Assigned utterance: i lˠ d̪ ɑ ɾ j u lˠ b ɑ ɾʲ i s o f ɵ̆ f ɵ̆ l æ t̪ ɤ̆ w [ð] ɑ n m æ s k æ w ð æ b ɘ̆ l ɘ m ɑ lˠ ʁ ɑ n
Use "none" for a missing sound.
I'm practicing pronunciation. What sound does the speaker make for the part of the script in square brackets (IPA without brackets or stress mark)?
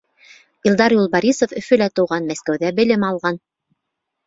ʁ